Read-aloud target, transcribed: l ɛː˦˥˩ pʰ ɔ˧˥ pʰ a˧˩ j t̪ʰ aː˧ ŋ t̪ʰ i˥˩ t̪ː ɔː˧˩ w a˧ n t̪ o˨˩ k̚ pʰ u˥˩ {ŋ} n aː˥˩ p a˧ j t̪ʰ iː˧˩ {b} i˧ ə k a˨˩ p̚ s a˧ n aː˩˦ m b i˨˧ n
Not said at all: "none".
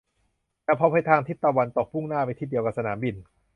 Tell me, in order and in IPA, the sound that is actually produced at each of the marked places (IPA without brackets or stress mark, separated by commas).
ŋ, d